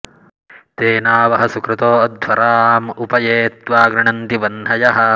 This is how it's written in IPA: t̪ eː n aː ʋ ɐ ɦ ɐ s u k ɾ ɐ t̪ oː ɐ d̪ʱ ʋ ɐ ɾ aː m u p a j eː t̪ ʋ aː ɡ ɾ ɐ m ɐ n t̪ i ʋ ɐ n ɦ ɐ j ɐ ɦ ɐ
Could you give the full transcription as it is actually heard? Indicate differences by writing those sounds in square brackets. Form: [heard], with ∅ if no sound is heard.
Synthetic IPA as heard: t̪ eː n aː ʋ ɐ ɦ ɐ s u k ɾ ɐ t̪ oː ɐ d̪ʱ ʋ ɐ ɾ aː m u p [ɐ] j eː t̪ ʋ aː ɡ ɾ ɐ [ɳ] ɐ n t̪ i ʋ ɐ n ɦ ɐ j ɐ ɦ ɐ